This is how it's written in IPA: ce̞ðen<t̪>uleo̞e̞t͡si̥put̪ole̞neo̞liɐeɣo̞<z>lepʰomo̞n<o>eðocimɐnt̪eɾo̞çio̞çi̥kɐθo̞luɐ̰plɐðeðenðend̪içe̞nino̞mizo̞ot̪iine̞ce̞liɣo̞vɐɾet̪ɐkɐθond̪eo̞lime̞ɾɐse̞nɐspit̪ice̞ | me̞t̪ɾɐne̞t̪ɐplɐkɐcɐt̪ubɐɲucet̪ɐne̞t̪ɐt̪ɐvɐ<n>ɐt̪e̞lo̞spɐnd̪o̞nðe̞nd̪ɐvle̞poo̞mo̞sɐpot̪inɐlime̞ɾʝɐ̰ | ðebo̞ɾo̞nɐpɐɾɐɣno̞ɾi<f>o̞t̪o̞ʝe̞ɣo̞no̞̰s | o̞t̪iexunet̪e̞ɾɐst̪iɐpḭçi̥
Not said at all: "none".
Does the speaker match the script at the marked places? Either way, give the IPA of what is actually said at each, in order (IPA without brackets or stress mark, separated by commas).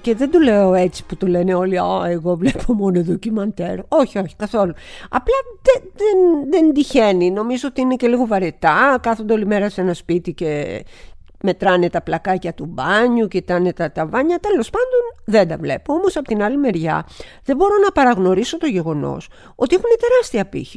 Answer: d̪, v, o, ɲ, s